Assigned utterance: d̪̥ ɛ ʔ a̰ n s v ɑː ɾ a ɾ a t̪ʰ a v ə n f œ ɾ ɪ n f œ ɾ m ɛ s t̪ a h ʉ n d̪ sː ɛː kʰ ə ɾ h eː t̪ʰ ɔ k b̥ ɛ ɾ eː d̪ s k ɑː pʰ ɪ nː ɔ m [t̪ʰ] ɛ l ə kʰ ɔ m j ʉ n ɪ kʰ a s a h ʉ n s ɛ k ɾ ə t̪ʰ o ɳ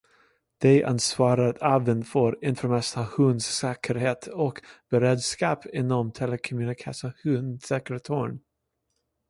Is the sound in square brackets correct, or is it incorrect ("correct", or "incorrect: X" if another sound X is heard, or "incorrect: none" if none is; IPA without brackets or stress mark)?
correct